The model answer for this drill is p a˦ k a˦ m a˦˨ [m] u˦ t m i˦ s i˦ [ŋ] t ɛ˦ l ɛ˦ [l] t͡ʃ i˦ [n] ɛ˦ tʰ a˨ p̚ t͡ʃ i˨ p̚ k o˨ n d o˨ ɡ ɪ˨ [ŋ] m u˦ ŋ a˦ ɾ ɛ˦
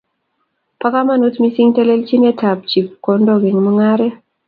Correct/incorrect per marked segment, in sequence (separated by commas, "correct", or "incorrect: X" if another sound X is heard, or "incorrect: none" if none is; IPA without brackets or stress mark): incorrect: n, correct, correct, correct, correct